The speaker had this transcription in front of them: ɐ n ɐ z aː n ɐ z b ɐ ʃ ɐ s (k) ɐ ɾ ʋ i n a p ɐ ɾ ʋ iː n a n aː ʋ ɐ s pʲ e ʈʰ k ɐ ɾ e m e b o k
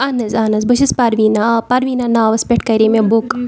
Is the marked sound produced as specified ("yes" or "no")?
no